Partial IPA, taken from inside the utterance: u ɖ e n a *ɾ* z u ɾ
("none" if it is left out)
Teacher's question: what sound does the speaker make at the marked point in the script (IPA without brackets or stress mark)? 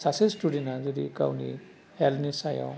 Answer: none